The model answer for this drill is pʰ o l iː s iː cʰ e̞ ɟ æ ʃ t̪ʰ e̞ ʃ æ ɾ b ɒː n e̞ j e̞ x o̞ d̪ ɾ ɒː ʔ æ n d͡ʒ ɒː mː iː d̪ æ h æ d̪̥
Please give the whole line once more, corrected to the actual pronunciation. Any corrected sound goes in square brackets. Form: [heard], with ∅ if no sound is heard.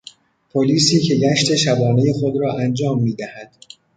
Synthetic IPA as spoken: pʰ o l iː s iː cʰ e̞ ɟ æ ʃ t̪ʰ e̞ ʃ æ [∅] b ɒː n e̞ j e̞ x o̞ d̪ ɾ ɒː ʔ æ n d͡ʒ ɒː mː iː d̪ æ h æ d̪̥